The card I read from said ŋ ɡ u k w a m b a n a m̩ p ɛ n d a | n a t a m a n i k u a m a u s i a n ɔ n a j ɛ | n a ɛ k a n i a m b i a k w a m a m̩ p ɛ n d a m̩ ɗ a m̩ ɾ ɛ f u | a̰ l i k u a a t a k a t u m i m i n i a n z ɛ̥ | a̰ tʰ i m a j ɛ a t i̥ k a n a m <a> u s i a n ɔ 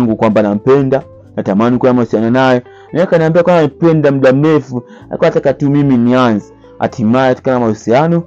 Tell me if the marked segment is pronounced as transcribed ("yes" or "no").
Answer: yes